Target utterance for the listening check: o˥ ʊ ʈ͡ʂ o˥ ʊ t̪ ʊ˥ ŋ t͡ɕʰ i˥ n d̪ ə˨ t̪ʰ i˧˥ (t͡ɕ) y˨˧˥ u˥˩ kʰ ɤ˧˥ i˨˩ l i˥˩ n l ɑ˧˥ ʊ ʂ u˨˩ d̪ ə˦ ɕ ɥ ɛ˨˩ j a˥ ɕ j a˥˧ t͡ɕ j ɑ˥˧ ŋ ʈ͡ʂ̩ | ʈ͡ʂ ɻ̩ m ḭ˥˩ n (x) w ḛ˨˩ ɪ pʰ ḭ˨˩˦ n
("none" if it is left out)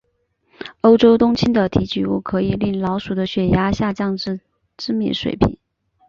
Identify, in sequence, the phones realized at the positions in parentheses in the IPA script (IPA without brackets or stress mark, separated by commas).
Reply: t͡ɕ, ʂ